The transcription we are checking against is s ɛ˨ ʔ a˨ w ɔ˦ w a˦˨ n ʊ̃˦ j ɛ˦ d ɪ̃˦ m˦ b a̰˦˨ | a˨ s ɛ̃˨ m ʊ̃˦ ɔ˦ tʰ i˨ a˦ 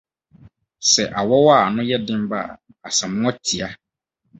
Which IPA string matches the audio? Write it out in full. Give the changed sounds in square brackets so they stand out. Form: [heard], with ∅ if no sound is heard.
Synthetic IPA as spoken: s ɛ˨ ʔ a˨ w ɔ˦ w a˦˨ n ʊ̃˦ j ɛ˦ d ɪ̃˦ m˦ b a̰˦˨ | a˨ s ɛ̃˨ m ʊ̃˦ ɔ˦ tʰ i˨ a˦